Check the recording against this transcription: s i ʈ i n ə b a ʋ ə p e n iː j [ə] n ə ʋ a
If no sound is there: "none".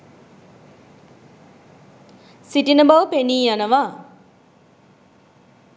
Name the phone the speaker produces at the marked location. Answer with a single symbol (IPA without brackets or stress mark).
a